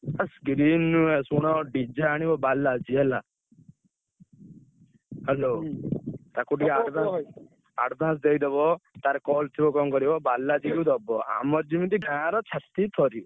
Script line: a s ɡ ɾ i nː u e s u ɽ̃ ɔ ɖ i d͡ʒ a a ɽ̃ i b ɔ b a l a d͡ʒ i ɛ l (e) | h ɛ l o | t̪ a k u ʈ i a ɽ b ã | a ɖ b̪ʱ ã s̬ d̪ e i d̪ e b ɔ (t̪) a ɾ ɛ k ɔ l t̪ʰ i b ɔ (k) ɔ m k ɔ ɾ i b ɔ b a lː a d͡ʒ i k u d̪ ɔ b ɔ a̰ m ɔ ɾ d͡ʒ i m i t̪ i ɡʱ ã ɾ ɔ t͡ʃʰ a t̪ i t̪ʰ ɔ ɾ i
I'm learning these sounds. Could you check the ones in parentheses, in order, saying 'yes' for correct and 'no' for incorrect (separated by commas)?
no, yes, yes